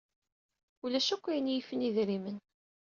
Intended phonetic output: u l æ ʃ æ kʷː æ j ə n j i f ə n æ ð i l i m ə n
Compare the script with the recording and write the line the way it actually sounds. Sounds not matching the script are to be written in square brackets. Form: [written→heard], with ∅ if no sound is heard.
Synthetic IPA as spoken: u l æ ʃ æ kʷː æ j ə n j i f ə n [æ→i] ð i [l→ɾ] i m ə n